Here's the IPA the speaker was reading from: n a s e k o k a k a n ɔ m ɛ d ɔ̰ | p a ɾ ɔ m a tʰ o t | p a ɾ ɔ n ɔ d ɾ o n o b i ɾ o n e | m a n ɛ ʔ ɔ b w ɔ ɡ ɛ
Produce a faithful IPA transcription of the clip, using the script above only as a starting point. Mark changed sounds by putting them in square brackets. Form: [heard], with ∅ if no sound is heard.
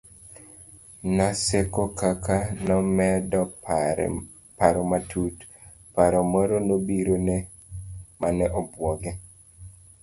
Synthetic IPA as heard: n a s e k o k a k a n ɔ m ɛ d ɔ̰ | p a ɾ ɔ m a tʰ [u] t | p a ɾ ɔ [m] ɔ [∅] ɾ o n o b i ɾ o n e | m a n ɛ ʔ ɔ b w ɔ ɡ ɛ

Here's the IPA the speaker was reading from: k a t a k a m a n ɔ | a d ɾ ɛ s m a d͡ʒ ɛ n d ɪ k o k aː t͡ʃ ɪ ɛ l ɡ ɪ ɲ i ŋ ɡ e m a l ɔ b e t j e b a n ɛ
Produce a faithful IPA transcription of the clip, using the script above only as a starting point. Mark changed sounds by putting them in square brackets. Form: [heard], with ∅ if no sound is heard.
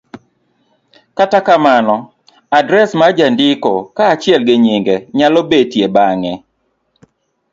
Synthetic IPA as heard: k a t a k a m a n ɔ | a d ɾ ɛ s m a d͡ʒ [a] n d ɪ k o k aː t͡ʃ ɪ ɛ l ɡ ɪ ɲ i ŋ ɡ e [ɲ] a l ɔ b e t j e b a [ŋ] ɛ

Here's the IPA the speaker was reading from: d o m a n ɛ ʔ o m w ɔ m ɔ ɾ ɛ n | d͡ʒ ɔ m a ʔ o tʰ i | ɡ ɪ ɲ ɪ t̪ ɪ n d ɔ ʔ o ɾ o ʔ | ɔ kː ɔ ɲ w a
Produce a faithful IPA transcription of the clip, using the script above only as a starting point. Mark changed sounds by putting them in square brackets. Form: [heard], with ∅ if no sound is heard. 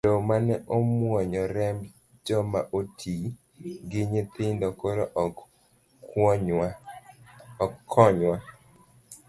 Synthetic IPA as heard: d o m a n ɛ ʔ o m w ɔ [ɲ] ɔ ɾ ɛ [m] | d͡ʒ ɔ m a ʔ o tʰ i | ɡ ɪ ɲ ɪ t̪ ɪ n d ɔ [k] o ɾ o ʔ | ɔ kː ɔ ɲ w a

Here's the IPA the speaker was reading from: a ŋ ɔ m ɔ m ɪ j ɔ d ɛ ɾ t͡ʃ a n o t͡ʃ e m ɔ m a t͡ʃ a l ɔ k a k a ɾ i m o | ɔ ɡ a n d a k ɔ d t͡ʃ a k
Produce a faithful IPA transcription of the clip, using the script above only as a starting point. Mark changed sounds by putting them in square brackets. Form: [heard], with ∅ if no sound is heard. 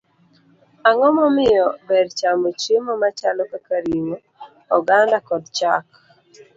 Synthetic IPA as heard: a ŋ ɔ m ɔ m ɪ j ɔ [b] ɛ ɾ t͡ʃ a [m] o t͡ʃ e m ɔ m a t͡ʃ a l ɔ k a k a ɾ i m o | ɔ ɡ a n d a k ɔ d t͡ʃ a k

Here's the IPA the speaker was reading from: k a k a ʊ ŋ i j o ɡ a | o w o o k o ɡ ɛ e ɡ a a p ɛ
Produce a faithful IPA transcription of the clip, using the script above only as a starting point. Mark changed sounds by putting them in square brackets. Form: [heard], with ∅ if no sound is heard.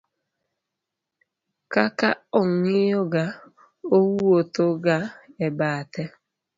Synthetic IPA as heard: k a k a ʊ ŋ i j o ɡ a | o w [u] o [t] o ɡ [a] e [b] a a [t] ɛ

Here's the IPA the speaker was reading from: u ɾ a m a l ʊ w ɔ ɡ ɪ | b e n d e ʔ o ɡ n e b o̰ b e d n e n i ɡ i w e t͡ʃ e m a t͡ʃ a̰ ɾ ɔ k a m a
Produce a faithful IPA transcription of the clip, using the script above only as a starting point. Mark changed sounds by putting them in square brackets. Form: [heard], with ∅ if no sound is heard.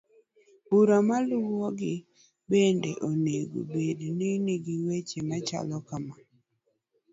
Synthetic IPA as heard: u ɾ a m a l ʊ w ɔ ɡ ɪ | b e n d e ʔ o [∅] n e [ɡ] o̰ b e d n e n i ɡ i w e t͡ʃ e m a t͡ʃ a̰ [l] ɔ k a m a

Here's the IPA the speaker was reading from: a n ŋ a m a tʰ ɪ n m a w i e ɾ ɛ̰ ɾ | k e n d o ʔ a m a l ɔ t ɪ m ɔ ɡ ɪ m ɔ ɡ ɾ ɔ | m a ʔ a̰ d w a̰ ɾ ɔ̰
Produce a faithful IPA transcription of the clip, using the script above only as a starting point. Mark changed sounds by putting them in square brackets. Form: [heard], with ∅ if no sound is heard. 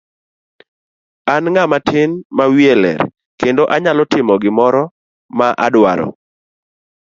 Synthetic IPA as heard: a n ŋ a m a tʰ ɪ n m a w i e [l] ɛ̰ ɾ | k e n d o ʔ a [ɲ] a l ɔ t ɪ m ɔ ɡ ɪ m ɔ [∅] ɾ ɔ | m a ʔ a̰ d w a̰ ɾ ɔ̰

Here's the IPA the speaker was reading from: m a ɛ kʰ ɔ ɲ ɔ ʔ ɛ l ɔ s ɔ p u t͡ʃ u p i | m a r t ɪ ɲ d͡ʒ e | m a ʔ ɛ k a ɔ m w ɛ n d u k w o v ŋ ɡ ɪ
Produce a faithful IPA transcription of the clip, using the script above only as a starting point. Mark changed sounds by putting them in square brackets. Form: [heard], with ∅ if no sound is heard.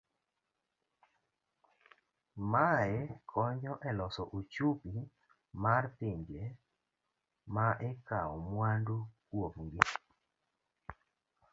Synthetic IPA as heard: m a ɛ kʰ ɔ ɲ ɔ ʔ ɛ l ɔ s ɔ [ʔ] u t͡ʃ u p i | m a r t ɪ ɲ d͡ʒ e | m a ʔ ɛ k a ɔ m w [a] n d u k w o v ŋ ɡ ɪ

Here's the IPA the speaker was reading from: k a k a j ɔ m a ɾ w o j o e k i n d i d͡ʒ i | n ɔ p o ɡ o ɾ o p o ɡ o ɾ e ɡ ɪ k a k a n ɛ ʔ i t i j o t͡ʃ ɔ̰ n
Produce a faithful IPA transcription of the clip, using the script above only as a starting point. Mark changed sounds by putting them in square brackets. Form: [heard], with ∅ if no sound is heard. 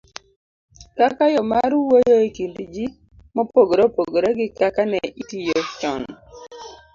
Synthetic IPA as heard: k a k a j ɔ m a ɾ w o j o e k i n d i d͡ʒ i | [m] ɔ p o ɡ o ɾ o p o ɡ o ɾ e ɡ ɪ k a k a n ɛ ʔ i t i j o t͡ʃ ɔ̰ n

